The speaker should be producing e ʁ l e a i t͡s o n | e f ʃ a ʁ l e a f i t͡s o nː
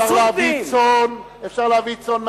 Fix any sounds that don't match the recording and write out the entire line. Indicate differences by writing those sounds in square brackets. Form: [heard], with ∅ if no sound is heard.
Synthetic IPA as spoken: [a] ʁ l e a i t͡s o n | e f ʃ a ʁ l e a [v] i t͡s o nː